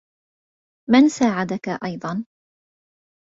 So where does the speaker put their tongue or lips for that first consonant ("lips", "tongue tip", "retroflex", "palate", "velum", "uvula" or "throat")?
lips